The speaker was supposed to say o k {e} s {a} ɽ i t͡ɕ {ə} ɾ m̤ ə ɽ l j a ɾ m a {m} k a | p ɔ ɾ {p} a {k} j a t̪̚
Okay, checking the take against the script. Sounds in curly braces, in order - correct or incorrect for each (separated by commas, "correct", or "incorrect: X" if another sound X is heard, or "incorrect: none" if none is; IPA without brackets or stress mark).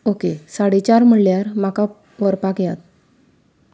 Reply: correct, correct, incorrect: a, incorrect: none, correct, correct